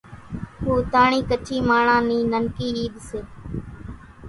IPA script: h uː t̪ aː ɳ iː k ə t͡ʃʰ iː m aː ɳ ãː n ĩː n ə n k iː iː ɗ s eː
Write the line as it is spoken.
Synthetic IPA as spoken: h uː t̪ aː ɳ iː k ə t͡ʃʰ iː m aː ɳ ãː n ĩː n ə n k iː iː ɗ s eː

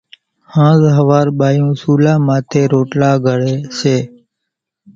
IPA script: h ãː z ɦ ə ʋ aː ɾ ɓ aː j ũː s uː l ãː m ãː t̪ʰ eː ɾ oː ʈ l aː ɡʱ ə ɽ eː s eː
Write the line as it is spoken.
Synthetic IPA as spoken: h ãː z ɦ ə ʋ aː ɾ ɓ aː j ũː s uː l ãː m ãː t̪ʰ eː ɾ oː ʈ l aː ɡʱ ə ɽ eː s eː

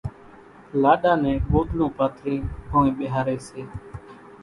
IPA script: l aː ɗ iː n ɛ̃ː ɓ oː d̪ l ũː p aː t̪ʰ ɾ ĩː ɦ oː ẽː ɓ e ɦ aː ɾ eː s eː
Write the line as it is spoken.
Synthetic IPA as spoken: l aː ɗ aː n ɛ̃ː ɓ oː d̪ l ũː p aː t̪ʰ ɾ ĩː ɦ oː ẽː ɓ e ɦ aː ɾ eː s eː

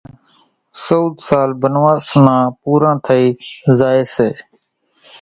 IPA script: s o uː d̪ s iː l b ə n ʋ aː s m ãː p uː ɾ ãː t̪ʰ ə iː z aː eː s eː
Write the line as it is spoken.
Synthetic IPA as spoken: s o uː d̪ s aː l b ə n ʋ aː s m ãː p uː ɾ ãː t̪ʰ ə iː z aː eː s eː

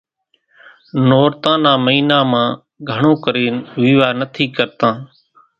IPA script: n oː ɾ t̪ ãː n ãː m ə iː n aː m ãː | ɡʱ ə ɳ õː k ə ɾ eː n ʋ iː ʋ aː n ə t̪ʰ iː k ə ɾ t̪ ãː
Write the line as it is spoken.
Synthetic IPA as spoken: n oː ɾ t̪ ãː n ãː m ə iː n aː m ãː | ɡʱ ə ɳ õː k ə ɾ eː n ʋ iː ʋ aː n ə t̪ʰ iː k ə ɾ t̪ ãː

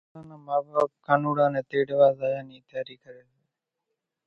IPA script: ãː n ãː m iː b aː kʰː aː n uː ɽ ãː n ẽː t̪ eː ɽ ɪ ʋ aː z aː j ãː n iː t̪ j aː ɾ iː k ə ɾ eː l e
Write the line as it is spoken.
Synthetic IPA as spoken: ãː n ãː m aː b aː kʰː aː n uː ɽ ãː n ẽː t̪ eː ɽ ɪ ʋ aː z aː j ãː n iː t̪ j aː ɾ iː k ə ɾ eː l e

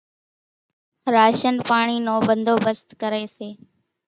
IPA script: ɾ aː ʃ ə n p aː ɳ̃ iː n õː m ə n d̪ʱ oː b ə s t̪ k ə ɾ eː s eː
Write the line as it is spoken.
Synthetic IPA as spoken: ɾ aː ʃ ə n p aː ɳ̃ iː n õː b ə n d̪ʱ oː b ə s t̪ k ə ɾ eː s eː

